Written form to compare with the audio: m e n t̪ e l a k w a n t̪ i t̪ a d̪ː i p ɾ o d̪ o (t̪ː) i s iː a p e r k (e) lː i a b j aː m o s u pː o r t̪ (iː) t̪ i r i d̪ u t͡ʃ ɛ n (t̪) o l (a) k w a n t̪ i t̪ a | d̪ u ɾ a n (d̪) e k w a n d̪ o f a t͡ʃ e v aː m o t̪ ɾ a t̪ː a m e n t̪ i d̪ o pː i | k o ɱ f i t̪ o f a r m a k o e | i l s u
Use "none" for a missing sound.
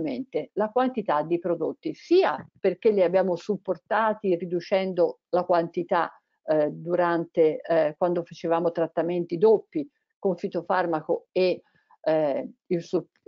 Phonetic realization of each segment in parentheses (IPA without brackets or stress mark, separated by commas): t̪ː, e, aː, d̪, a, t̪